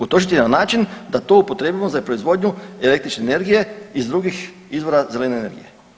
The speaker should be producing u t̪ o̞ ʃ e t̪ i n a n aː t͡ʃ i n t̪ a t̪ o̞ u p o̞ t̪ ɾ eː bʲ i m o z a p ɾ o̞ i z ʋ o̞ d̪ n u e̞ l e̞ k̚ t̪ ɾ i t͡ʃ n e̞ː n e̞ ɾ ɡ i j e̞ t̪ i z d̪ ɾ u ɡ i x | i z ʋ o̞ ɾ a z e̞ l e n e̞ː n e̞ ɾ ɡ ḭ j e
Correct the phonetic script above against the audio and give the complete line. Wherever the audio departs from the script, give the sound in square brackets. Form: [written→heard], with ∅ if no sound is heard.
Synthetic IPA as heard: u t̪ o̞ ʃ [e→i] t̪ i n a n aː t͡ʃ i n [t̪→d̪] a t̪ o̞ u p o̞ t̪ ɾ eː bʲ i m o z a p ɾ o̞ i z ʋ o̞ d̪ [n→ɲ] u e̞ l e̞ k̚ t̪ ɾ i t͡ʃ n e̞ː n e̞ ɾ ɡ i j e̞ [t̪→∅] i z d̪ ɾ u ɡ i x | i z ʋ o̞ ɾ a z e̞ l e n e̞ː n e̞ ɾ ɡ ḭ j e